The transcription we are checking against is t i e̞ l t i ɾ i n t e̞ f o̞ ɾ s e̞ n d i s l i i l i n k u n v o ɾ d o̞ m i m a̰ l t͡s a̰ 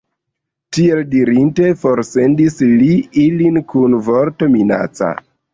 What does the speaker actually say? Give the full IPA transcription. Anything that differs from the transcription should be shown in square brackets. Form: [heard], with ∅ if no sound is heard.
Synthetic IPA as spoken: t i e̞ l [d] i ɾ i n t e̞ f o̞ ɾ s e̞ n d i s l i i l i n k u n v o ɾ [t] o̞ m i [n] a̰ [∅] t͡s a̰

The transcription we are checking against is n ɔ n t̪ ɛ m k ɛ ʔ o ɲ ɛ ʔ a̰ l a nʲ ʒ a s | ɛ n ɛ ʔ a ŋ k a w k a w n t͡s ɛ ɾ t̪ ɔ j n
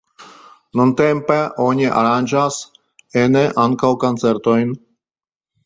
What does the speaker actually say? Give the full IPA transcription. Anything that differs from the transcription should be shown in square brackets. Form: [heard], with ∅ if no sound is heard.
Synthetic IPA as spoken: n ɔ n t̪ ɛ m [p] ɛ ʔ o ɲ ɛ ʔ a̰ [ɾ] a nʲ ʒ a s | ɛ n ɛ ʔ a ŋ k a w k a [∅] n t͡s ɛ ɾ t̪ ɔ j n

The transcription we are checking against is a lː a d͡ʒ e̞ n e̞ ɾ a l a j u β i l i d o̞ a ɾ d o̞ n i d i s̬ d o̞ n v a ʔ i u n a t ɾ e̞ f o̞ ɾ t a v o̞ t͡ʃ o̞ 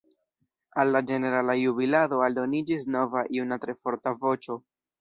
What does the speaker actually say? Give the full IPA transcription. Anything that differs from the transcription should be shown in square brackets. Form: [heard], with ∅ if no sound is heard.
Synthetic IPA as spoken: a lː a d͡ʒ e̞ n e̞ ɾ a l a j u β i l [a] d o̞ a [l] d o̞ n i [d͡ʒ] i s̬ [n] o̞ [∅] v a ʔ i u n a t ɾ e̞ f o̞ ɾ t a v o̞ t͡ʃ o̞

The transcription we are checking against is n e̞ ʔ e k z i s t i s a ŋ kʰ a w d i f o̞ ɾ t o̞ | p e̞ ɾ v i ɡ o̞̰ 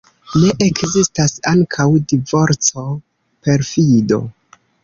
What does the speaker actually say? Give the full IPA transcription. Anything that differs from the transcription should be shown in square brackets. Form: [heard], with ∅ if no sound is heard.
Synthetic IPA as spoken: n e̞ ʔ e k z i s t [a] s a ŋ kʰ a w d i [v] o̞ ɾ [t͡s] o̞ | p e̞ ɾ [f] i [d] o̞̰

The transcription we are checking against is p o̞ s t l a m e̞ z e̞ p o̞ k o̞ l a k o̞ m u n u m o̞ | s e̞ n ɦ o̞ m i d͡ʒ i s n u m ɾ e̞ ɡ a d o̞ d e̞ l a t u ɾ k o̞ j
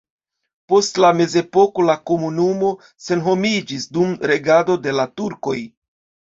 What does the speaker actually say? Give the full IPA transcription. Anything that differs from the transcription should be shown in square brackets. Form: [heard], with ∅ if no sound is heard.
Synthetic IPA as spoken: p o̞ s t l a m e̞ z e̞ p o̞ k o̞ l a k o̞ m u n u m o̞ | s e̞ n ɦ o̞ m i d͡ʒ i s [d] u m ɾ e̞ ɡ a d o̞ d e̞ l a t u ɾ k o̞ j

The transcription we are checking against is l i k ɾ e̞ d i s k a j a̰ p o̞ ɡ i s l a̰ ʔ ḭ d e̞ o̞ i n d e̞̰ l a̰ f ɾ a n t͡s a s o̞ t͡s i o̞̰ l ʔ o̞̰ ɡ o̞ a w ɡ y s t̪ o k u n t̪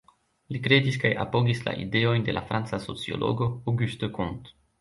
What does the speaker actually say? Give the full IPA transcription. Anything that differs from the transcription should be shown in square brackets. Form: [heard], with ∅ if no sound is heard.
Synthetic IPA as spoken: l i k ɾ e̞ d i s k a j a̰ p o̞ ɡ i s l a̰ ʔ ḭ d e̞ o̞ [j] n d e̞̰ l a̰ f ɾ a n t͡s a s o̞ t͡s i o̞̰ l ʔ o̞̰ ɡ o̞ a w ɡ y s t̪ o k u n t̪

